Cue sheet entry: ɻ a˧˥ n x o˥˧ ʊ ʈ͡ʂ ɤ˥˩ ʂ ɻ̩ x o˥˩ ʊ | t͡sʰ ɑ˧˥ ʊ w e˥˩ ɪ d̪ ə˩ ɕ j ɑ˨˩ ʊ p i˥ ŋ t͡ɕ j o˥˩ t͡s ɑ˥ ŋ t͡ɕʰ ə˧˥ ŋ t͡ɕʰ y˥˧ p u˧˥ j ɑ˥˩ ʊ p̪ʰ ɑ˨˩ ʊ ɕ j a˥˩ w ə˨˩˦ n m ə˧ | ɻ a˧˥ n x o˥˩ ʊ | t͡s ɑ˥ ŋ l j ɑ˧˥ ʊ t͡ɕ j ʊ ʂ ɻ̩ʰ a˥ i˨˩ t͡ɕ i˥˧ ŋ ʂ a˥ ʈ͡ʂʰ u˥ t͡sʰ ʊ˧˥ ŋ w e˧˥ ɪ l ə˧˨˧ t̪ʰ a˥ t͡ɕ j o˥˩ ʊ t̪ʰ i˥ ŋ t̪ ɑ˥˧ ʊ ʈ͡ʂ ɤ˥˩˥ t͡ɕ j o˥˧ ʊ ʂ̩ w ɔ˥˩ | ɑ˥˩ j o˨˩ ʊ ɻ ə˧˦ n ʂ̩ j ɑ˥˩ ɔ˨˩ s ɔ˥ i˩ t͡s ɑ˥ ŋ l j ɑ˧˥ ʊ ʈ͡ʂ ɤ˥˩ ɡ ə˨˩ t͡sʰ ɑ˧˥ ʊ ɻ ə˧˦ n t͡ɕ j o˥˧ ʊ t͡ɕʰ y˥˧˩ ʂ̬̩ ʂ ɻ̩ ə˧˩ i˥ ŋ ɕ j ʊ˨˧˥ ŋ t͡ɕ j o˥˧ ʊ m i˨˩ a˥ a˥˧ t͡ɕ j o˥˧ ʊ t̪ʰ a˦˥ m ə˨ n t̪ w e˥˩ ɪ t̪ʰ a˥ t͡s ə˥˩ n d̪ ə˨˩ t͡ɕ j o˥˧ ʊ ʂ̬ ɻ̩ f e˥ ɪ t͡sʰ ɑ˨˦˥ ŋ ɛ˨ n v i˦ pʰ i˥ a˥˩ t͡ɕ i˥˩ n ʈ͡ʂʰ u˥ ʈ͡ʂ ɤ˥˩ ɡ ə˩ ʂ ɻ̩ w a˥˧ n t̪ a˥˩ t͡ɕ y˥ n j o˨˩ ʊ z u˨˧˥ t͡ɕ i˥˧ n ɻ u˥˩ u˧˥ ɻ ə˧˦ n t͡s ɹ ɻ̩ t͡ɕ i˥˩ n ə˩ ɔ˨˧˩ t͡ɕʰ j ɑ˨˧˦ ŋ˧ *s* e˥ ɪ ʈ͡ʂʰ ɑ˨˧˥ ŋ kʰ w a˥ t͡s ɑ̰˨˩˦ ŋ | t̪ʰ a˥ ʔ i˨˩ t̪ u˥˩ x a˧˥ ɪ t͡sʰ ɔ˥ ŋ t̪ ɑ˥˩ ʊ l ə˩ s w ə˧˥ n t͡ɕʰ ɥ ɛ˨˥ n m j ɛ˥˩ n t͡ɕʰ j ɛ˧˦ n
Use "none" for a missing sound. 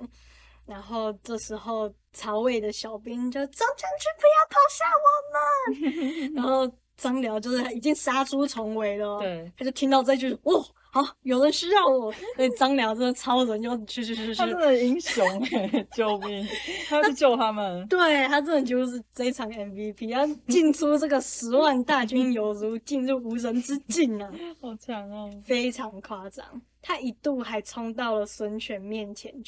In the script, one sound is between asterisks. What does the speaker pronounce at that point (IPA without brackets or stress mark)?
f